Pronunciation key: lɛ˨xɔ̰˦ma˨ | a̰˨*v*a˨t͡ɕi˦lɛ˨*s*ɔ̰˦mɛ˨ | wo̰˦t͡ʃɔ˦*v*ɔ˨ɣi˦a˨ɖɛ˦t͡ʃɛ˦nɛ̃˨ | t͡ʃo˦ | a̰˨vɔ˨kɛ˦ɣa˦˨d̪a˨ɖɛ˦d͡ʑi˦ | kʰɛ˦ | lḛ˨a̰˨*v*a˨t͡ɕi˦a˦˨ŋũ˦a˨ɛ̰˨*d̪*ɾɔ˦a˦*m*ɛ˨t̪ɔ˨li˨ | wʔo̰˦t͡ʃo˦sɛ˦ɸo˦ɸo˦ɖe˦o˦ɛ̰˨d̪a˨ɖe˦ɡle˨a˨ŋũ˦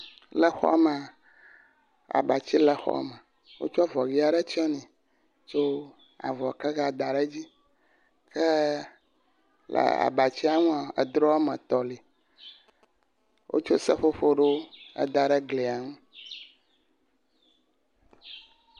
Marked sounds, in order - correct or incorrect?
incorrect, incorrect, correct, incorrect, correct, correct

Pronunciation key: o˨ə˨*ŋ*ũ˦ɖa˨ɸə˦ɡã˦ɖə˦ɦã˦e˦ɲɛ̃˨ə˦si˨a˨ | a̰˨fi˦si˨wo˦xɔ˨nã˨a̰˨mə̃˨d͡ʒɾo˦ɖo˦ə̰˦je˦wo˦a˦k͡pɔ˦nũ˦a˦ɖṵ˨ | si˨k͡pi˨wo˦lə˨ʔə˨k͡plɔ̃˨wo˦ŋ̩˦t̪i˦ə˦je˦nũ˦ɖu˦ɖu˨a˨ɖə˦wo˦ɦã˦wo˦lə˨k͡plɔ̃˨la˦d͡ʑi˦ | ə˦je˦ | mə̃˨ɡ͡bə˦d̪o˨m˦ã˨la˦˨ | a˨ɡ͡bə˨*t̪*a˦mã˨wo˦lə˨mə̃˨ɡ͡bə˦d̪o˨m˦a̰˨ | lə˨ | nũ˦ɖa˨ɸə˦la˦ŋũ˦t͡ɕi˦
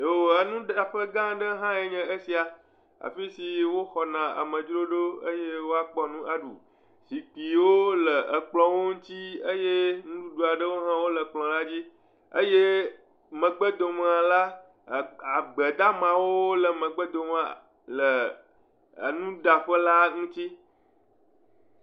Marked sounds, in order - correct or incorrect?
incorrect, incorrect

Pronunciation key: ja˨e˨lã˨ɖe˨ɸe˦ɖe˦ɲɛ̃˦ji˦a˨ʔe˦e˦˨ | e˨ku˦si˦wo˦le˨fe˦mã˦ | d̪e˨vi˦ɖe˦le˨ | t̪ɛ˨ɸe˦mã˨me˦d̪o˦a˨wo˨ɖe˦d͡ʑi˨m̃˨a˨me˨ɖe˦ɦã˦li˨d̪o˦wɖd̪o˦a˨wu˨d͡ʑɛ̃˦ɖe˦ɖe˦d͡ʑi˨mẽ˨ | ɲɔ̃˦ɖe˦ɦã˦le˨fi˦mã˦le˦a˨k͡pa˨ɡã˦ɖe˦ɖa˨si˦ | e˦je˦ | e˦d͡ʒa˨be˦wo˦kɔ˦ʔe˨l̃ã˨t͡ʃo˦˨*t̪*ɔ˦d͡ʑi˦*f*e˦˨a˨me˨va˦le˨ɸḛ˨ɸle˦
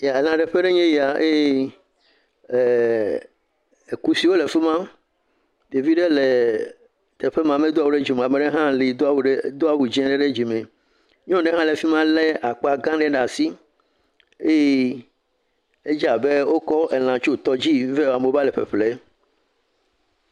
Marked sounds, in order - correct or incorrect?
correct, incorrect

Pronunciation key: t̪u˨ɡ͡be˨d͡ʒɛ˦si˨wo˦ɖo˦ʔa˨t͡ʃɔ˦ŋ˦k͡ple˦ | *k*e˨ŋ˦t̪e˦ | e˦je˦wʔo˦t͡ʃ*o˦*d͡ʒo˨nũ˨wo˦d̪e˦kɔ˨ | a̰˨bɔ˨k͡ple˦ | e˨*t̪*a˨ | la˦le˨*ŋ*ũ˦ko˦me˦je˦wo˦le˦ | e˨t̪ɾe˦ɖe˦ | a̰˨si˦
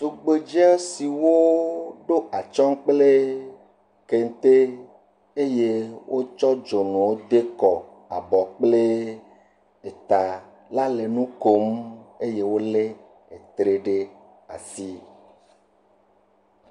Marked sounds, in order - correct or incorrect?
correct, incorrect, correct, incorrect

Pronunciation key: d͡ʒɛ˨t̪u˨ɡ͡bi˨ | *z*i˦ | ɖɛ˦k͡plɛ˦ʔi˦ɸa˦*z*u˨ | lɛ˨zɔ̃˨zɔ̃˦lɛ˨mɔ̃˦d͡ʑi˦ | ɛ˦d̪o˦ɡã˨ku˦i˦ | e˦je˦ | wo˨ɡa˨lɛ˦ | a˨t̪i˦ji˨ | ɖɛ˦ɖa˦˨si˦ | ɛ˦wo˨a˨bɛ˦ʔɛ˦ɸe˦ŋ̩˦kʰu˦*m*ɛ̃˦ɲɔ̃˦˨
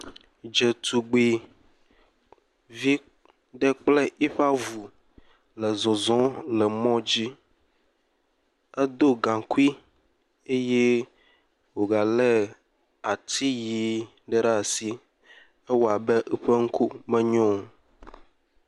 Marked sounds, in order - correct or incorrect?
incorrect, incorrect, correct

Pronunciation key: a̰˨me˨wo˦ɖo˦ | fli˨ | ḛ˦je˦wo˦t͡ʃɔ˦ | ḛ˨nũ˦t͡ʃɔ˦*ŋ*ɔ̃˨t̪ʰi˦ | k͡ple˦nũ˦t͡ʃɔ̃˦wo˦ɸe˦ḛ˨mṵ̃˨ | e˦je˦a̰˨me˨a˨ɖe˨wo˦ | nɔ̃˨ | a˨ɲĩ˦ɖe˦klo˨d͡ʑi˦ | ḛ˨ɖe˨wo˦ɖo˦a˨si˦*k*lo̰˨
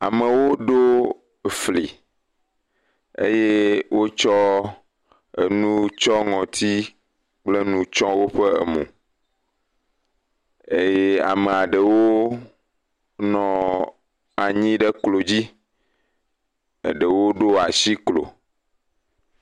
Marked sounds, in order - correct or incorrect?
correct, correct

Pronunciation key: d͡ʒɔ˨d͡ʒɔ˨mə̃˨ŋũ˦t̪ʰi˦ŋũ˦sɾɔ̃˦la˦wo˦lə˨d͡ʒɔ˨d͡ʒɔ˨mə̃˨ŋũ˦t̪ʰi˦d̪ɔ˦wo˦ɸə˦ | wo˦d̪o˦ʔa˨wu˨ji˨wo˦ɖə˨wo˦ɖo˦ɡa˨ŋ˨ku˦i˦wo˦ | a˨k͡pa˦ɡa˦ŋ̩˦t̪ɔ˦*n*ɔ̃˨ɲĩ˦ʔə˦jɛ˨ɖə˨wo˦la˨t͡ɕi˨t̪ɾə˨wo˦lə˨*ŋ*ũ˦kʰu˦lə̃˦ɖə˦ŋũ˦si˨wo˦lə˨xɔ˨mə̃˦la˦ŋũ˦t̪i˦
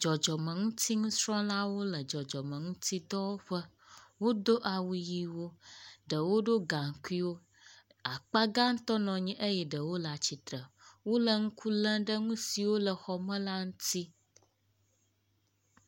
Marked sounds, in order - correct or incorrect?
correct, correct

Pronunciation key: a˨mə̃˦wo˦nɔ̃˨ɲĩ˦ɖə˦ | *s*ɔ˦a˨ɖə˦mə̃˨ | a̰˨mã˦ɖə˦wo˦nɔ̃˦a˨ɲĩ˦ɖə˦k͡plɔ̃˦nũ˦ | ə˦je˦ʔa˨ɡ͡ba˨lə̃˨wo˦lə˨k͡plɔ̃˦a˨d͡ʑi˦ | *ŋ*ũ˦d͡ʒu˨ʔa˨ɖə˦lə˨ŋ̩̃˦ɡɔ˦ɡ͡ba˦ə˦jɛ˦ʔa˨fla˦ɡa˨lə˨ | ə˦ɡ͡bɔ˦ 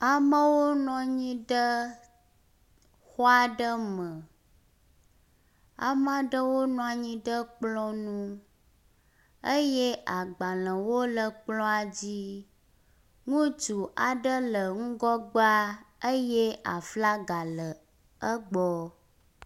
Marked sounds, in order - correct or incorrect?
incorrect, correct

